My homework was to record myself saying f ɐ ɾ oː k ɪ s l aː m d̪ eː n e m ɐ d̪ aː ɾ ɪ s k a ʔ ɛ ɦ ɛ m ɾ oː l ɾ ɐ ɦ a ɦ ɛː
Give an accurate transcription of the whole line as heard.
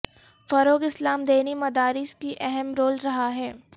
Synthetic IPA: f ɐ ɾ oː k ɪ s l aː m d̪ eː n i m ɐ d̪ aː ɾ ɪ s k i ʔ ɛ ɦ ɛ m ɾ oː l ɾ ɐ ɦ a ɦ ɛː